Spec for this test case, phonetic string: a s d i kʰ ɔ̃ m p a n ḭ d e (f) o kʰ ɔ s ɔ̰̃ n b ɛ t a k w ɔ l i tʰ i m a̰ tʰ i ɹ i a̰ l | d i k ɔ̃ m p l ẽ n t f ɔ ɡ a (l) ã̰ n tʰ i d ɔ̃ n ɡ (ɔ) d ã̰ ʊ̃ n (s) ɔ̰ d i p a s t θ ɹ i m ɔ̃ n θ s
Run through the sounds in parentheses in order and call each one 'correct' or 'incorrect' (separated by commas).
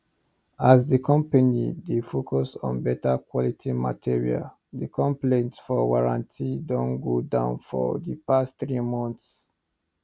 correct, incorrect, incorrect, incorrect